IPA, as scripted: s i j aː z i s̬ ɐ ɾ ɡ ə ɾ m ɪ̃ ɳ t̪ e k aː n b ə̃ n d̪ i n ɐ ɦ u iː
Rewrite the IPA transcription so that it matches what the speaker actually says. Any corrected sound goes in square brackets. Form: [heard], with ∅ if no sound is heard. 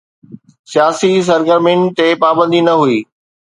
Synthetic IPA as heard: s i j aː [s] i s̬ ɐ ɾ ɡ ə ɾ m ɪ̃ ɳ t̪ e [p] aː [∅] b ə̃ n d̪ i n ɐ ɦ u iː